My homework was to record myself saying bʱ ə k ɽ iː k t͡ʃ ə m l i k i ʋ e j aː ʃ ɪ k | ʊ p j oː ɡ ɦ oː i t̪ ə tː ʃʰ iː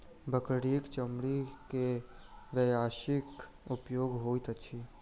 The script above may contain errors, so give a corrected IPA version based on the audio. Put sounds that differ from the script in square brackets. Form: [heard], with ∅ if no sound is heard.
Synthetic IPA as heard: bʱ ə k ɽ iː k t͡ʃ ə m [ɽ] i k [e] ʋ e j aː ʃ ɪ k | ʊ p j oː ɡ ɦ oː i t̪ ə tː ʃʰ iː